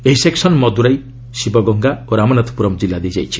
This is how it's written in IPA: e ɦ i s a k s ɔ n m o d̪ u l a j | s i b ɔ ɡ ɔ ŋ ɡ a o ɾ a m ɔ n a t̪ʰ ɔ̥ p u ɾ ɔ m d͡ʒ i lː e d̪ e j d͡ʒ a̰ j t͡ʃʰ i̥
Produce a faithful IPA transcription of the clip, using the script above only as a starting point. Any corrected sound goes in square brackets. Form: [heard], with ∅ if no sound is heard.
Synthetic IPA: e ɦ i s [e] k s ɔ n m [ɔ] d̪ u [ɾ] a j | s i b ɔ ɡ ɔ ŋ ɡ a o ɾ a m ɔ n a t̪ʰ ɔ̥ p u ɾ ɔ m d͡ʒ i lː [a] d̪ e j d͡ʒ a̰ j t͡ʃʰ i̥